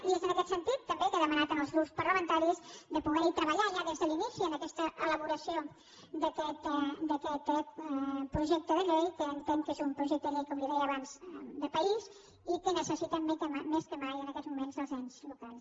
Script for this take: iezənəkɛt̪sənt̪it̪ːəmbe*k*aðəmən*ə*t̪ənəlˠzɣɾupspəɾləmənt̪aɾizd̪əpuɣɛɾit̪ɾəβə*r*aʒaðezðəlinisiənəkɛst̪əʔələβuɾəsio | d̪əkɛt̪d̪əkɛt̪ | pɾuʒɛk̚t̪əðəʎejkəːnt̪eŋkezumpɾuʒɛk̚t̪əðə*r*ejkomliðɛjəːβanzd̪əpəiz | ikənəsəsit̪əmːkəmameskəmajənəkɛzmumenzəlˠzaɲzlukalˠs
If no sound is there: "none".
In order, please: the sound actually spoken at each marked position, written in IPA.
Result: k, a, ʎ, ʎ

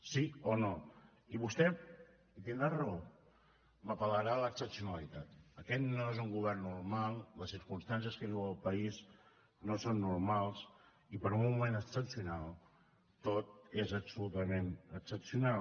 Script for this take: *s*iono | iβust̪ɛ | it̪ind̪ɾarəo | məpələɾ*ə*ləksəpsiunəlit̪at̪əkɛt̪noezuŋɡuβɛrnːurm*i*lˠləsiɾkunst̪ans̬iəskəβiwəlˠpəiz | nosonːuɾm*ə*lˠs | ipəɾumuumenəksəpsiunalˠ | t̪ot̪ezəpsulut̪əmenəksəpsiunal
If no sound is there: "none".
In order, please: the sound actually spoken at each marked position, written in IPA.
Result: s, a, a, a

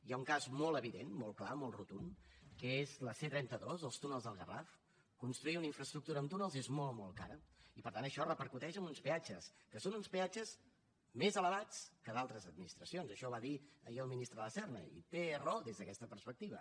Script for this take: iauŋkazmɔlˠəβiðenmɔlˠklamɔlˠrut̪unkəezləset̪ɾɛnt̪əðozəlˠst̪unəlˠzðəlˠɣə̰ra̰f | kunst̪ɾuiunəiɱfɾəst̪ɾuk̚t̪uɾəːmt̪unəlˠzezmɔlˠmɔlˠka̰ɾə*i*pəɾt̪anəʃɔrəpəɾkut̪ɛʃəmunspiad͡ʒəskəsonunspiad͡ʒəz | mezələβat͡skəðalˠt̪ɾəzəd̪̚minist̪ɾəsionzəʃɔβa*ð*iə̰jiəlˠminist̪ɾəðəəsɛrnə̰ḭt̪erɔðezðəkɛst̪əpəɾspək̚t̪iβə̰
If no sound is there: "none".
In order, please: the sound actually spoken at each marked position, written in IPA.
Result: i, ð

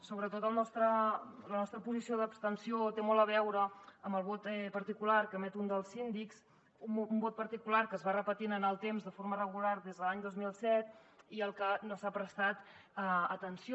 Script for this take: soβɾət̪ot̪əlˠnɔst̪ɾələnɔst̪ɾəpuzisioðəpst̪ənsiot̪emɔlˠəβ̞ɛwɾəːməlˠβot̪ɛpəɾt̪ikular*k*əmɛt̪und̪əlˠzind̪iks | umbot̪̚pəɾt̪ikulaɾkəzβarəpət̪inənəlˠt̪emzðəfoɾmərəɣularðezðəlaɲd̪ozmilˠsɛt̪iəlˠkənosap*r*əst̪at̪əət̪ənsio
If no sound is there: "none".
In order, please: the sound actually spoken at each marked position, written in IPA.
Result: k, ɾ

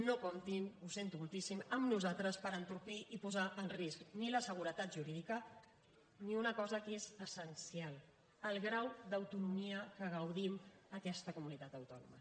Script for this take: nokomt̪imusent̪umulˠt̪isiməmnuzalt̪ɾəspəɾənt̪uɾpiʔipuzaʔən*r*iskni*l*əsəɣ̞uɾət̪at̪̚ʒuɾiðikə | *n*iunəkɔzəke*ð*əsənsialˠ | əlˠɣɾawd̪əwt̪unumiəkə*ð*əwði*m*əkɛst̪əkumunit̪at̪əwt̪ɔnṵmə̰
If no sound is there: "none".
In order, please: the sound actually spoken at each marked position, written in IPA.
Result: r, l, n, z, ɣ, m

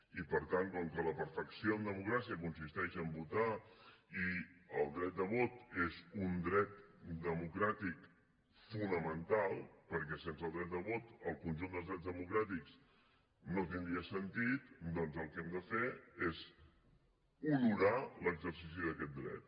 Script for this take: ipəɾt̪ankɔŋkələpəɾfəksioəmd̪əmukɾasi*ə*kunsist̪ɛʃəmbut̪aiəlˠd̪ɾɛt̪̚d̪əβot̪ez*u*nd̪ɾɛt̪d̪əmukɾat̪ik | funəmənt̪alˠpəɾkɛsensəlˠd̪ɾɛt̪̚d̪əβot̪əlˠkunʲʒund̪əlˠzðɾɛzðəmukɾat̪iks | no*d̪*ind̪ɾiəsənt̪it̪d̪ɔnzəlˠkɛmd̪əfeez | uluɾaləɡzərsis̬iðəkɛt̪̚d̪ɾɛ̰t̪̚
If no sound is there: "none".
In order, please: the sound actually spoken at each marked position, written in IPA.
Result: ə, u, t̪

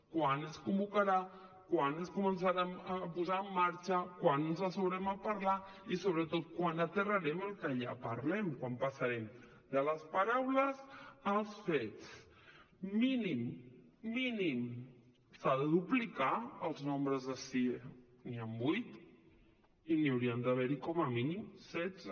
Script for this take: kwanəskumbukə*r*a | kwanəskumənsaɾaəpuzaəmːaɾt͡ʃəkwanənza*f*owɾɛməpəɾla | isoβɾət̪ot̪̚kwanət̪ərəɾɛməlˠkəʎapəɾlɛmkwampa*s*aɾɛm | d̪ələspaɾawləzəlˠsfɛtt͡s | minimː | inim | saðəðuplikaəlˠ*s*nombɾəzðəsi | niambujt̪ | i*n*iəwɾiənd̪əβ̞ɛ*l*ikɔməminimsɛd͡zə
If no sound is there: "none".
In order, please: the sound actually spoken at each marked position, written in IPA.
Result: ɾ, s, s, z, n, ɾ

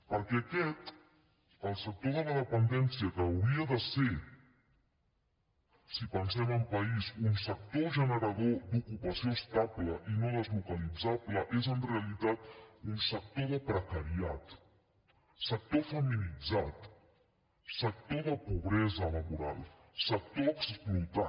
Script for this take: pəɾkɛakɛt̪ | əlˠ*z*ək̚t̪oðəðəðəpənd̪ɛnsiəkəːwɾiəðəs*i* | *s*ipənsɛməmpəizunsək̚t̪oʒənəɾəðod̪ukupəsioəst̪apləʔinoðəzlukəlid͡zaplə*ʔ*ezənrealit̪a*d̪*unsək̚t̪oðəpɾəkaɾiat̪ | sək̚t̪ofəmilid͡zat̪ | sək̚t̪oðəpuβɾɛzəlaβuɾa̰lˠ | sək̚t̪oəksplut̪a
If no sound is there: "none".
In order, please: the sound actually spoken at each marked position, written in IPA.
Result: s, e, s, ʔ, t̪

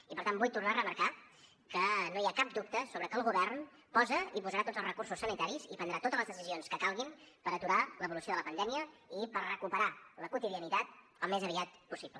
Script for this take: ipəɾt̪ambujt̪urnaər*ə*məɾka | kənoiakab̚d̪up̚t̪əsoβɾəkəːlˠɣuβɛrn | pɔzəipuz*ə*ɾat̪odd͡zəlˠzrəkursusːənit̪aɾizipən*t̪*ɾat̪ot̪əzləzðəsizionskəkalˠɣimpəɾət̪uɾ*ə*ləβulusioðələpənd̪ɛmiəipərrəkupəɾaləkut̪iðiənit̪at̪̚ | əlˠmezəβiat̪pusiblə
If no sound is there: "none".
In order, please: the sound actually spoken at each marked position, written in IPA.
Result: ə, ə, d̪, a

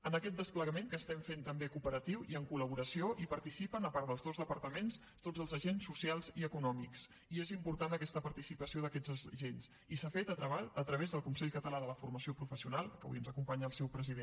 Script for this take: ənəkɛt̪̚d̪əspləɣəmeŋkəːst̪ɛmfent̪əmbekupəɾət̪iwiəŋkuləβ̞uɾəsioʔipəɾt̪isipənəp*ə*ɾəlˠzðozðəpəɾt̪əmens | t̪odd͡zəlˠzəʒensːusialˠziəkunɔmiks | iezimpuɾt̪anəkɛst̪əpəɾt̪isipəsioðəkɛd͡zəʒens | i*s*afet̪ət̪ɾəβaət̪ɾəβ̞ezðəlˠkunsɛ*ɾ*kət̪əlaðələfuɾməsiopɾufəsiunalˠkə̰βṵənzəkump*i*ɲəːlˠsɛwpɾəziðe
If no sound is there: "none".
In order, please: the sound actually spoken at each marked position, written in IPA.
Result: a, s, ʎ, a

